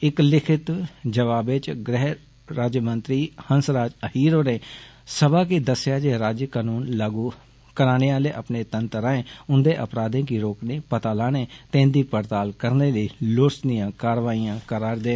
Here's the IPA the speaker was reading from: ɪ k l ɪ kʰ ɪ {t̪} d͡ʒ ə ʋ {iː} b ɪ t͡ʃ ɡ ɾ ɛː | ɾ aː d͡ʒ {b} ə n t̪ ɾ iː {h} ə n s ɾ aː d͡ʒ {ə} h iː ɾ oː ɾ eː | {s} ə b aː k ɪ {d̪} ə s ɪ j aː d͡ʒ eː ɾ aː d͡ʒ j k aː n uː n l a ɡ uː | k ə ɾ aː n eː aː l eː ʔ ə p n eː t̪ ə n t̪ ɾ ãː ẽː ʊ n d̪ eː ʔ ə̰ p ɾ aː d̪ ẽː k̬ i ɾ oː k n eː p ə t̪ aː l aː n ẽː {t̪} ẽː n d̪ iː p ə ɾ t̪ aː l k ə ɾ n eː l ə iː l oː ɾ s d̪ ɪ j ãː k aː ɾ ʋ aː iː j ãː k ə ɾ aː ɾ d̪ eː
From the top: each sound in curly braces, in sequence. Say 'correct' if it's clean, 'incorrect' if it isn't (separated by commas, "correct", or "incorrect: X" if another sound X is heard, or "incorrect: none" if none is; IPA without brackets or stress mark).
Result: correct, incorrect: aː, incorrect: m, correct, correct, correct, correct, correct